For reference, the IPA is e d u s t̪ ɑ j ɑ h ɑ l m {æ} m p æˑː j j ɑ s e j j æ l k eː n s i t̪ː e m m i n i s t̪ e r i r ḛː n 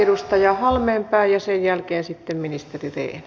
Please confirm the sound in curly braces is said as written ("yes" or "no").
no